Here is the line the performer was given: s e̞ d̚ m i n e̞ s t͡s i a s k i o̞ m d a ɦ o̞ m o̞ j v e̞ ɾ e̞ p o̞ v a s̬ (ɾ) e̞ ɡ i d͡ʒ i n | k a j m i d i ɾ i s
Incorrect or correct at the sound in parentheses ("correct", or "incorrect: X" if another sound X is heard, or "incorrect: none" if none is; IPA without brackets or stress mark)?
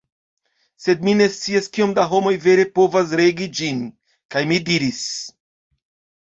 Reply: correct